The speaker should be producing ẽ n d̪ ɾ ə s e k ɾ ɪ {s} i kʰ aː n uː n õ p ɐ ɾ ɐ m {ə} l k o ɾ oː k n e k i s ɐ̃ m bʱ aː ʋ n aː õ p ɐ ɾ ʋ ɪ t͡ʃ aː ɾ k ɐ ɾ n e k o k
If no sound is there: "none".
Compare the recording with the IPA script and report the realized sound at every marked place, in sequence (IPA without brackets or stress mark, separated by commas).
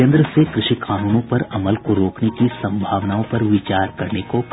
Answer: ʃ, ə